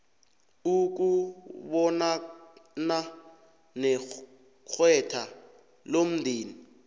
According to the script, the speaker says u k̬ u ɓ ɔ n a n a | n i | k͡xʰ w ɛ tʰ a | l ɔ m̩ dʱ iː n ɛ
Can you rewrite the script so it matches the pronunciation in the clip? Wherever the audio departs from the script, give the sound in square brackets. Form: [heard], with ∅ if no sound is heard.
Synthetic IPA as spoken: u k̬ u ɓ ɔ n a n a | n [ɛ] | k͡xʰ w ɛ tʰ a | l [o] m̩ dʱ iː n [i]